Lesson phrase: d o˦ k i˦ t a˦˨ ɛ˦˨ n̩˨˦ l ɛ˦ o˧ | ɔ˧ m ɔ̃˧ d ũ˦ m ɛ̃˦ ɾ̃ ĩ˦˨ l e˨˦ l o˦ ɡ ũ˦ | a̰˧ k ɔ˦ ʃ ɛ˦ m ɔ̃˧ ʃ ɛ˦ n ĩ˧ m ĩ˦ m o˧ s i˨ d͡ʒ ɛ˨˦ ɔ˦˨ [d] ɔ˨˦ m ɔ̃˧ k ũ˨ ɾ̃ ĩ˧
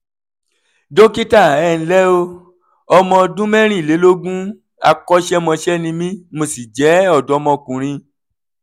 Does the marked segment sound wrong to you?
no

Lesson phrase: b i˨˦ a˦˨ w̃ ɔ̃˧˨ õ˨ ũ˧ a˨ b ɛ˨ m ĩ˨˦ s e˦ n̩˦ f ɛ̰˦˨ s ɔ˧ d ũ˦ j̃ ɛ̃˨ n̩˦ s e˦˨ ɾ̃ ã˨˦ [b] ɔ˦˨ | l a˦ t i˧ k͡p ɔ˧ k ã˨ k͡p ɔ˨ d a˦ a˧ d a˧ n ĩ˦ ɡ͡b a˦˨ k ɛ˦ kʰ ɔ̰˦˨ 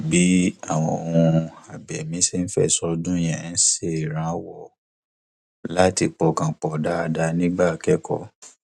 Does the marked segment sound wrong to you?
yes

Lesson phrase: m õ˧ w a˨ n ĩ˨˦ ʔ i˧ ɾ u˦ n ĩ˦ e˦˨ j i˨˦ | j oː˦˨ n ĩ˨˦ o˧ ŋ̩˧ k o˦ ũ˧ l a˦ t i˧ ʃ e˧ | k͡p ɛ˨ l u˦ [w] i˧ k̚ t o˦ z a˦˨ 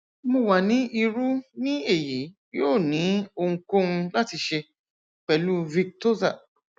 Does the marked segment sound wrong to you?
yes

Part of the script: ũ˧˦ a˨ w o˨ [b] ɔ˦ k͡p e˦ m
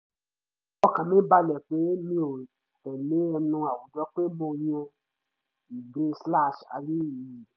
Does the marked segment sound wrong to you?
yes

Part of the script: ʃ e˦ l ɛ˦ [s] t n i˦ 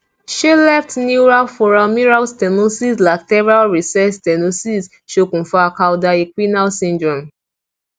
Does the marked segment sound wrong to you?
yes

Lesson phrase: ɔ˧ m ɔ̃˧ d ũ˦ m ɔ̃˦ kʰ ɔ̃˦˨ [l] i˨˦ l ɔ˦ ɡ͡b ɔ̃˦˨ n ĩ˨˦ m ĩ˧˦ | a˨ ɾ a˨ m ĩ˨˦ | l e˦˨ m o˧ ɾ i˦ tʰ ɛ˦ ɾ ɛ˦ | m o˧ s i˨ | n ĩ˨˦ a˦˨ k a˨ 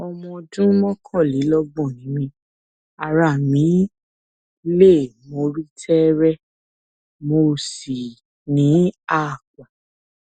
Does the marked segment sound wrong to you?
no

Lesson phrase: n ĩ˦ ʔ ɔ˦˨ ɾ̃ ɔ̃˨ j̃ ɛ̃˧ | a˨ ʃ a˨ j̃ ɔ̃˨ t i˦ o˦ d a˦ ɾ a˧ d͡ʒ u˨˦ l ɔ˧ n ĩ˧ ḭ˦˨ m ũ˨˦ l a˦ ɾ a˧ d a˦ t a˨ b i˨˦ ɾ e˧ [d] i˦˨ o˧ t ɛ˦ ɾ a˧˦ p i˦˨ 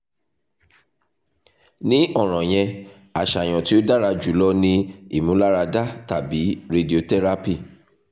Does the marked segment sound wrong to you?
no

